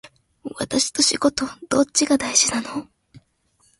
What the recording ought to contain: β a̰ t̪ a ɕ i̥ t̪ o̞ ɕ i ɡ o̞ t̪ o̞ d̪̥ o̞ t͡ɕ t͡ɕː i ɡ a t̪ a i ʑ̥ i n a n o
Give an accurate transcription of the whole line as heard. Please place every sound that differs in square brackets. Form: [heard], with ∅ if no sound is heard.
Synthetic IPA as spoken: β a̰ t̪ a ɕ i̥ t̪ o̞ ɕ i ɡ o̞ t̪ o̞ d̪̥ o̞ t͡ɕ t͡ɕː i ɡ a [d̪] a i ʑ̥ i n a n o